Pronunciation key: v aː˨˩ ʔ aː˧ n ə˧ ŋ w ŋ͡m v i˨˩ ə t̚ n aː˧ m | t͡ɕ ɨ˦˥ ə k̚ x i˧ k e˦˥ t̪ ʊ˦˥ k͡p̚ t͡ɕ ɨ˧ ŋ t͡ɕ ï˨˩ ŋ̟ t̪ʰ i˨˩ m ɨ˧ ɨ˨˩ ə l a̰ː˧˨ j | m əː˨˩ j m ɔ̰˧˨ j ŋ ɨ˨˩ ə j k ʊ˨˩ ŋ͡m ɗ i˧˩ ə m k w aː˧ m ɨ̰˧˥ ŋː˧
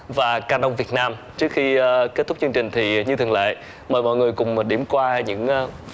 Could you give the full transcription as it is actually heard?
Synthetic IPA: v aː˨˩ k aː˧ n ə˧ w ŋ͡m v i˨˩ ə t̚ n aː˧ m | t͡ɕ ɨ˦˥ ə k̚ x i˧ k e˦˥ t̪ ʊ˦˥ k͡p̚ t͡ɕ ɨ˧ ŋ t͡ɕ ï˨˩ ŋ̟ t̪ʰ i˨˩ ɲ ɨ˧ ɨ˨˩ ə l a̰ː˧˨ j | m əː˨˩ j m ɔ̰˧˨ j ŋ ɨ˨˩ ə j k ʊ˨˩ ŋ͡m ɗ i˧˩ ə m k w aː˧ ɲ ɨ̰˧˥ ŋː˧